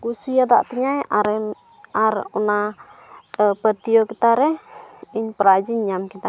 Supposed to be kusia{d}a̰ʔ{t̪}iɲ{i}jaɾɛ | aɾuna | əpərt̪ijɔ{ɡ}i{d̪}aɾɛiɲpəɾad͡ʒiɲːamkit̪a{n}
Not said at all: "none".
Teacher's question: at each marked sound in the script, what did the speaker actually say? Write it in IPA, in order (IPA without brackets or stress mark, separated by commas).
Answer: d, t̪, a, k, t̪, none